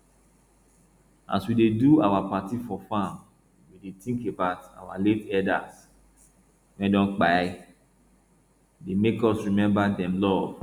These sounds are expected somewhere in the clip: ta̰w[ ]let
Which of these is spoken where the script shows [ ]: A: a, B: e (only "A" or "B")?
A